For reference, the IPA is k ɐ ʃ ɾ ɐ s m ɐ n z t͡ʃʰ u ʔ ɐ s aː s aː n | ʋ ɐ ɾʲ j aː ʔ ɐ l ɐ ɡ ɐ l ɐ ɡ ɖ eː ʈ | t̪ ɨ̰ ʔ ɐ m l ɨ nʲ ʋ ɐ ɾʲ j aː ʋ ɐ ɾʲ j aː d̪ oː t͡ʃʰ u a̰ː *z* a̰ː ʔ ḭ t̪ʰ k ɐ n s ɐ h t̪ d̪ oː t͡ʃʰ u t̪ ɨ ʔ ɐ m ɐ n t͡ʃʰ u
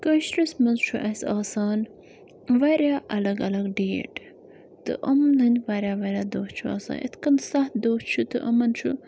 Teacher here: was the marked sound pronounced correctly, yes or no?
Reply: no